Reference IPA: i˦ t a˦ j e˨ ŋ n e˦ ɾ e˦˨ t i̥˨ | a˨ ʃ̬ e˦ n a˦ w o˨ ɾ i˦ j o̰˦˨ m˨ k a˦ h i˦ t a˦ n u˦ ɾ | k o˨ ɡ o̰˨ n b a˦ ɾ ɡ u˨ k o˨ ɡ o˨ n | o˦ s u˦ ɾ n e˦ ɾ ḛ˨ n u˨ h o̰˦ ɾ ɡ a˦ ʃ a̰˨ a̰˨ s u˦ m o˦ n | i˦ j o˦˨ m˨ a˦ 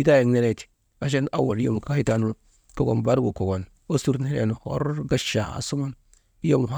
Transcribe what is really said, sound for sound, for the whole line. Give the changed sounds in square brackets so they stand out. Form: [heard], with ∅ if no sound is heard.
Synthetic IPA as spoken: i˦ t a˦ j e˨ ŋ n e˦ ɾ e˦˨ t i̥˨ | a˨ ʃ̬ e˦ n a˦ w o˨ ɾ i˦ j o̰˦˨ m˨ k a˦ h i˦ t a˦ n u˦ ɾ | k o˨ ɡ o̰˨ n b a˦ ɾ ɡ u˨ k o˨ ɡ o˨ n | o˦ s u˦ ɾ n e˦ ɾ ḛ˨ n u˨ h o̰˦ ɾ ɡ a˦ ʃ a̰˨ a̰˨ s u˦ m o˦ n | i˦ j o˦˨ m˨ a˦

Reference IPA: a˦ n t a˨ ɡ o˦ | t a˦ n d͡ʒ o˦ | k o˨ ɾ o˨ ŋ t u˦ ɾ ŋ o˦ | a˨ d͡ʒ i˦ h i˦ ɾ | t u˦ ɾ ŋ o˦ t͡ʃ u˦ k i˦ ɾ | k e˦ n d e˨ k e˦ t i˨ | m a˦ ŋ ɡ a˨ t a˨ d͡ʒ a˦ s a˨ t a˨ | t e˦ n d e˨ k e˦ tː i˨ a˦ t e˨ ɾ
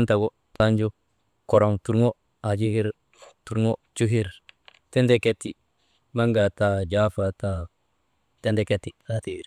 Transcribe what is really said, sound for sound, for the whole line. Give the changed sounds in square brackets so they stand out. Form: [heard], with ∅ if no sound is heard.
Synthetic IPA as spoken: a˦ n t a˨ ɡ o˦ | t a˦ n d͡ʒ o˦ | k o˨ ɾ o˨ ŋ t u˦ ɾ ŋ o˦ | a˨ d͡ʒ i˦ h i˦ ɾ | t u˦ ɾ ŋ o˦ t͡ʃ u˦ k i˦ ɾ | [t] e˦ n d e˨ k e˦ t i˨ | m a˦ ŋ ɡ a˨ t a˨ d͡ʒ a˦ [f] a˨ t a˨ | t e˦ n d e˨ k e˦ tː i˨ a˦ t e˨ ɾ

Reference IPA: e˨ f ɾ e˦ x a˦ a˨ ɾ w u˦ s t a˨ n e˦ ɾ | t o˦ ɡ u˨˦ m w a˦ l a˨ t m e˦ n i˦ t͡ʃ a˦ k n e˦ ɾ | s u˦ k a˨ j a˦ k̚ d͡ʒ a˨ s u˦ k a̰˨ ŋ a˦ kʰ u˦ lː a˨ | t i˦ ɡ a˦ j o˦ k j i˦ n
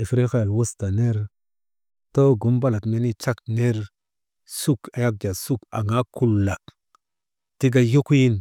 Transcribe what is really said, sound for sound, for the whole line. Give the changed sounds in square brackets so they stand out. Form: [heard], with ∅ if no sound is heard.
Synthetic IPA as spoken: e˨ f ɾ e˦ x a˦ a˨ [l] w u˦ s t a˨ n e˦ ɾ | t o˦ ɡ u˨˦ m [b] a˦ l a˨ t m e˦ n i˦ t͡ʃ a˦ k n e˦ ɾ | s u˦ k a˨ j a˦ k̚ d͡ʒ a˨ s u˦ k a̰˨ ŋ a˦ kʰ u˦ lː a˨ | t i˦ ɡ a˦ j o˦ k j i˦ n

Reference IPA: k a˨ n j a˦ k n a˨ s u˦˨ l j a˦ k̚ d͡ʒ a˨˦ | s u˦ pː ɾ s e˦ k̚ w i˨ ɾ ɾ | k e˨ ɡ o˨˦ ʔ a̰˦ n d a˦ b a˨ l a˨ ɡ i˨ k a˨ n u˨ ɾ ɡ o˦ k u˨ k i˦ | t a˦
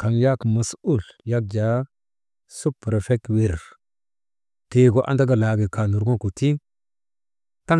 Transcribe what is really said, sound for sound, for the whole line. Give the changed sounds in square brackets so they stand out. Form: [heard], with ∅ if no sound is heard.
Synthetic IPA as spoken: k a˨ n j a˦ k [m] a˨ s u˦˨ l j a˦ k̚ d͡ʒ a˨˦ | s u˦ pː ɾ [f] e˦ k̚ w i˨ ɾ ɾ | [t] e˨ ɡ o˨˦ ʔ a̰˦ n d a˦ [ɡ] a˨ l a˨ ɡ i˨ k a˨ n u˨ ɾ ɡ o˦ k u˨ [t] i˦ | t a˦

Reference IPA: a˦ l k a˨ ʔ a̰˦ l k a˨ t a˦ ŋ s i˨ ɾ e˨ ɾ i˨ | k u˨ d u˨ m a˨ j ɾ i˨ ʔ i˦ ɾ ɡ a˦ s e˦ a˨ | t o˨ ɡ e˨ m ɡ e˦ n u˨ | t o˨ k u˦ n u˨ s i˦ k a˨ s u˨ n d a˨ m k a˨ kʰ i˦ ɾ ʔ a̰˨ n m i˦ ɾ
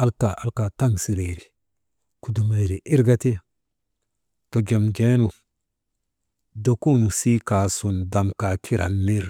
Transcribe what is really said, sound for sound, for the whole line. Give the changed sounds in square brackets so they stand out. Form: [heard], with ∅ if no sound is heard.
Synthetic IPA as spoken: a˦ l k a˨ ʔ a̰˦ l k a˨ t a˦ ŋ s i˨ ɾ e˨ ɾ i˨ | k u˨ d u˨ m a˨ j ɾ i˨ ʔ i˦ ɾ ɡ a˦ [t] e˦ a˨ | t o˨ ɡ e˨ m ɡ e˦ n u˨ | [d] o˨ k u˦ n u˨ s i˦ k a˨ s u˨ n d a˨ m k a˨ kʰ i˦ ɾ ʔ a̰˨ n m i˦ ɾ

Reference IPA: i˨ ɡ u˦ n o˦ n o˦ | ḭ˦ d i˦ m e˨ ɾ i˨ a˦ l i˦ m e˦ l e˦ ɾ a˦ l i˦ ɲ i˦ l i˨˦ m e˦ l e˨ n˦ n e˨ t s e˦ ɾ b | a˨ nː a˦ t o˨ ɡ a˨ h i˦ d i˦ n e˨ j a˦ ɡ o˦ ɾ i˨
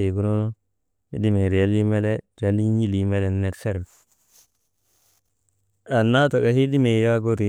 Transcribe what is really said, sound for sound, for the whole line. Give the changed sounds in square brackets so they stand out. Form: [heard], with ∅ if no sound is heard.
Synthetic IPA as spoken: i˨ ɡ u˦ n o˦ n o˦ | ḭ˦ d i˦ m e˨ ɾ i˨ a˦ l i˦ m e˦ l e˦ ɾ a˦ l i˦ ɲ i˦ l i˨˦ m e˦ l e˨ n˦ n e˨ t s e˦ ɾ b | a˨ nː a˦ t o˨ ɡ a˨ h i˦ d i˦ [m] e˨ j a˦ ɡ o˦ ɾ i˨

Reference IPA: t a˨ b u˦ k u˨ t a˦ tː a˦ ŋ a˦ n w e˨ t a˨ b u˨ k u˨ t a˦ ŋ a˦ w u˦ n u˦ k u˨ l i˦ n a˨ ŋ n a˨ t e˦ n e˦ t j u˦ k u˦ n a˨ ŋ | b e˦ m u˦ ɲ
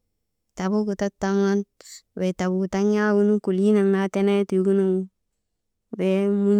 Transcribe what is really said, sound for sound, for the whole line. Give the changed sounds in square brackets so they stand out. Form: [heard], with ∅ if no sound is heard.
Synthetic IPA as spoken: t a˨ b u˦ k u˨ t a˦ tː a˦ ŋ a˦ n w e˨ t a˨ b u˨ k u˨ t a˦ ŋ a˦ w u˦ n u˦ k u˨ l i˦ n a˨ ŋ n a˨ t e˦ n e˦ t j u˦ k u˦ n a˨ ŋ | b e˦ m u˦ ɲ

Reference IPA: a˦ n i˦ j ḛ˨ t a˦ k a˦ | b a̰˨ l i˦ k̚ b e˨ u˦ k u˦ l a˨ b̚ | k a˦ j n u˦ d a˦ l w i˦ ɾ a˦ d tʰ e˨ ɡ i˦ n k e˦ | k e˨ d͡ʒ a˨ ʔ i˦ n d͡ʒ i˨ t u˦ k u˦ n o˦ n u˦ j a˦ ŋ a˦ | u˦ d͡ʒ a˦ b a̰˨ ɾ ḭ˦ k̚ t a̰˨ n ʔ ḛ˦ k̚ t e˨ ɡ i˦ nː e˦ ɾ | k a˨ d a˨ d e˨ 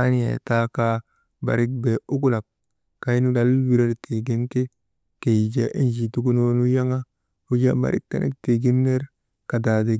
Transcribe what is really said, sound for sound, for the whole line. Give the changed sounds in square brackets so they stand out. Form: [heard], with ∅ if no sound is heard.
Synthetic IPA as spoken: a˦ n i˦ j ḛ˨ t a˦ k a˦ | b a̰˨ [ɾ] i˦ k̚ b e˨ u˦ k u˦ l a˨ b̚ | k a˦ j n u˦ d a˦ l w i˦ ɾ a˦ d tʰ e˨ ɡ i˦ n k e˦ | k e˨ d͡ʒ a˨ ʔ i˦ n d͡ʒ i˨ t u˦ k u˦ n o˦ n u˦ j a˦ ŋ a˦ | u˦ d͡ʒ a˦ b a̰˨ ɾ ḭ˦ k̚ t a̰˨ n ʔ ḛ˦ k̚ t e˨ ɡ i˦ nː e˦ ɾ | k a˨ d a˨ d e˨

